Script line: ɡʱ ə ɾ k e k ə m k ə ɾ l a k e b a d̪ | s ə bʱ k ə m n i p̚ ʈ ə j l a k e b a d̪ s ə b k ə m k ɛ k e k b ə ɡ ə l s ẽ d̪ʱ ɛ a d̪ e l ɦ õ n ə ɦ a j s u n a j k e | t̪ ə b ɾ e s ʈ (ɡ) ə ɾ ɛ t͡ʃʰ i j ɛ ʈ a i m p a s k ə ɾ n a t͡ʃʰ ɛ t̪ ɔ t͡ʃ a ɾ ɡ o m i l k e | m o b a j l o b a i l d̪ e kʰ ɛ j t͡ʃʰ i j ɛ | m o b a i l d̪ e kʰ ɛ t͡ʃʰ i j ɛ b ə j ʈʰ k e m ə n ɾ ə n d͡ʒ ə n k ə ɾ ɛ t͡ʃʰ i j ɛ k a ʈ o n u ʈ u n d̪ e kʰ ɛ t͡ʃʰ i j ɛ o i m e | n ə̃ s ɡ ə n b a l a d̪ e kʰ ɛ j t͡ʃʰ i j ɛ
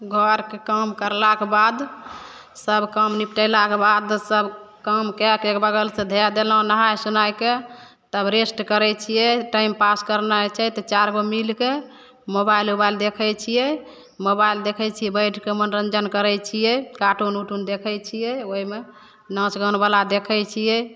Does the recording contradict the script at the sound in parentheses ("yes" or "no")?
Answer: yes